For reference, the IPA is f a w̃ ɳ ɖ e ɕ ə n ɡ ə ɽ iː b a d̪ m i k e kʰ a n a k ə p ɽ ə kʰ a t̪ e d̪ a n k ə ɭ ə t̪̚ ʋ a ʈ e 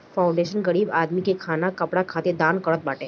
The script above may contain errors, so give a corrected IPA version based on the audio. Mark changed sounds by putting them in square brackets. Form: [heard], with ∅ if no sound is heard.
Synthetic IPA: f a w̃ ɳ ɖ e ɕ ə n ɡ ə ɽ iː b a d̪ m i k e kʰ a n a k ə p ɽ [a] kʰ a t̪ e d̪ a n k ə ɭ ə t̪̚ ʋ a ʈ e